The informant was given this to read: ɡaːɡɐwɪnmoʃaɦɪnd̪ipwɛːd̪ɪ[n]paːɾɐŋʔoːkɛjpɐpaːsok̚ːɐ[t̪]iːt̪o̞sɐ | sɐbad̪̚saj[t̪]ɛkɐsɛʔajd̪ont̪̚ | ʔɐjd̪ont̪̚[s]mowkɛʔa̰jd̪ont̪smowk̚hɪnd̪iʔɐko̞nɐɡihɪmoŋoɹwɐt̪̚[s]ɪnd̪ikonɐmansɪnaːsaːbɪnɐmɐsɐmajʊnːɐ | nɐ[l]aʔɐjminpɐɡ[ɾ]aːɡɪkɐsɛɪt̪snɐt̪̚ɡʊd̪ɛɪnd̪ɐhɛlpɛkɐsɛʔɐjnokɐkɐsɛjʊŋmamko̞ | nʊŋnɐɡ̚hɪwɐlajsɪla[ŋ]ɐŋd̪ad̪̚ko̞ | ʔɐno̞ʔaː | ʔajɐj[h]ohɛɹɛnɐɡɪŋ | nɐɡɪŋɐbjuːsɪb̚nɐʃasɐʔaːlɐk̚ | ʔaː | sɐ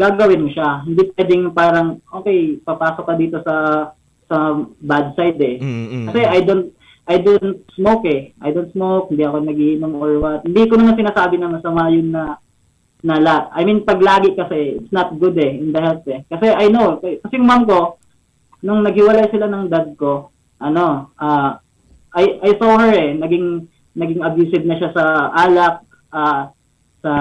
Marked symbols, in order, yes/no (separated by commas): no, no, no, yes, no, yes, no, no, no